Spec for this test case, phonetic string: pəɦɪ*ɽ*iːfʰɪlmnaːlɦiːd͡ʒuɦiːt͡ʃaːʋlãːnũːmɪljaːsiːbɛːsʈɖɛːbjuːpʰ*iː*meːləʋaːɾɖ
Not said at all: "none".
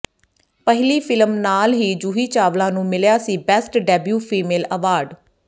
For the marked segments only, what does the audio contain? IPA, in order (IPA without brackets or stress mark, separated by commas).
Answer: l, iː